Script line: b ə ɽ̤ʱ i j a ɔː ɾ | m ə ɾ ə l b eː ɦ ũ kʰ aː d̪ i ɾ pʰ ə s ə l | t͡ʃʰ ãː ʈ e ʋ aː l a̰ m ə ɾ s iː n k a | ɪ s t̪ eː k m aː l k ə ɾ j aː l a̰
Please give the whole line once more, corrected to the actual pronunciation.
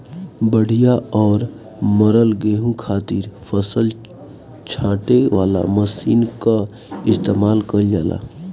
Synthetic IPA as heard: b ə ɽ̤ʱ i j a ɔː ɾ | m ə ɾ ə l ɡ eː ɦ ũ kʰ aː t̪ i ɾ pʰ ə s ə l | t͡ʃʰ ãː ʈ e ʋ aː l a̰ m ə s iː n k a | ɪ s t̪ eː m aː l k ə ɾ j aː l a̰